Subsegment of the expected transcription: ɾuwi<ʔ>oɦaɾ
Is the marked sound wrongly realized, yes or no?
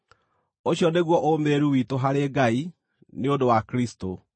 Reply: yes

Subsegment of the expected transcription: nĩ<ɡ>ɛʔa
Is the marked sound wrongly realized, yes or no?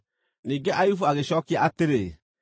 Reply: no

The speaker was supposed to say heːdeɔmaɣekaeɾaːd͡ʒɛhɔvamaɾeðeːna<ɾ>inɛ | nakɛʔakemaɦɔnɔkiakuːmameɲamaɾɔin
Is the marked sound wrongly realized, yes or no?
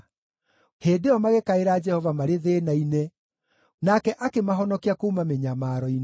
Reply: yes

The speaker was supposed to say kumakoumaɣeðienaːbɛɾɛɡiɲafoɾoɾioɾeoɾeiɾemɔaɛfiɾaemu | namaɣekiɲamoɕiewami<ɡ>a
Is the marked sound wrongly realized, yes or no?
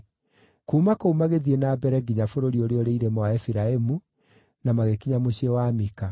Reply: yes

